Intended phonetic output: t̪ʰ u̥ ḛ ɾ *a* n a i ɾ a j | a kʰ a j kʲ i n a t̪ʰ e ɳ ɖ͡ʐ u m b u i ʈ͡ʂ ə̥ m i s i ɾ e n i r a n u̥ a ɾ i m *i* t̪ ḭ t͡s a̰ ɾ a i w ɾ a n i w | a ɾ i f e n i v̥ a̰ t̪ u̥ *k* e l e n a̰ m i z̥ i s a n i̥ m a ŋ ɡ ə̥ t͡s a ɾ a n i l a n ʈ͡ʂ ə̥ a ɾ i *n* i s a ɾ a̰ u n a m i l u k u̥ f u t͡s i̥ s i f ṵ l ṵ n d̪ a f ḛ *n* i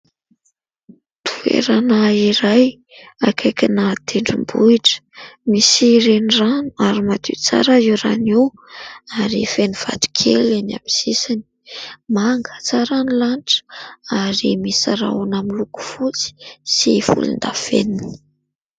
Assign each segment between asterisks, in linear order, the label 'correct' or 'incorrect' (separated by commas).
correct, incorrect, incorrect, incorrect, correct